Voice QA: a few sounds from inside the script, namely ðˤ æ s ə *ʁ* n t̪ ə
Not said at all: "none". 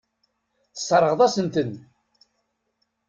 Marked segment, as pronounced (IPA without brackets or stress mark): none